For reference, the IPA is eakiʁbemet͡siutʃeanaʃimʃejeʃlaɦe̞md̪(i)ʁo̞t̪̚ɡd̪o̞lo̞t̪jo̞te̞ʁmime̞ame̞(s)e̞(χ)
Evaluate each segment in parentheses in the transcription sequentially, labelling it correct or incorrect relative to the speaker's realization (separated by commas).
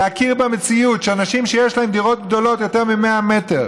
correct, incorrect, incorrect